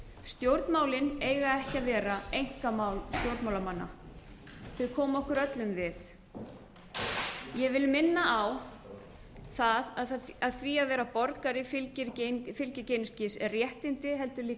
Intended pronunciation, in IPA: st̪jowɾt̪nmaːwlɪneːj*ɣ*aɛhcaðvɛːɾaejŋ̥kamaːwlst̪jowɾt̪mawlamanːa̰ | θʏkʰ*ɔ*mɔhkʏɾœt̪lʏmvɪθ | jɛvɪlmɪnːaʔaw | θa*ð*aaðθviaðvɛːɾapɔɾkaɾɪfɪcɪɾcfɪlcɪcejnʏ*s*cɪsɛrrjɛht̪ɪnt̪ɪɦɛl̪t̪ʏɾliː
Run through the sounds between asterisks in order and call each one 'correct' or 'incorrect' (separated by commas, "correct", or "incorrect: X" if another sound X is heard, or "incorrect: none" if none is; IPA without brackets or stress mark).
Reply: correct, incorrect: ɔː, correct, correct